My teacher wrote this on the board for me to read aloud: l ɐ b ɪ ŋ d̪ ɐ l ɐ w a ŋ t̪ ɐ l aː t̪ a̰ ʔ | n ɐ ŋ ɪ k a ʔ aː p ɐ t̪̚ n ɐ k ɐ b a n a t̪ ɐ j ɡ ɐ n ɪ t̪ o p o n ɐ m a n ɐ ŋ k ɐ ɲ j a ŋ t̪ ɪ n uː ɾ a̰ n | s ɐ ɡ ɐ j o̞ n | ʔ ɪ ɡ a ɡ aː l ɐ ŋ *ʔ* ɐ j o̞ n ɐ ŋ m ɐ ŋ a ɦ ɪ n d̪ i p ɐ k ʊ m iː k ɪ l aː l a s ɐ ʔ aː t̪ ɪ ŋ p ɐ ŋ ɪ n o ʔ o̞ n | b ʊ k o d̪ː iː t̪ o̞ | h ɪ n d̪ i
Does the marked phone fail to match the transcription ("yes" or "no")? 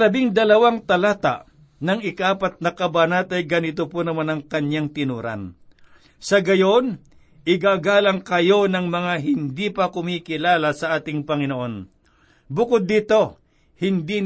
yes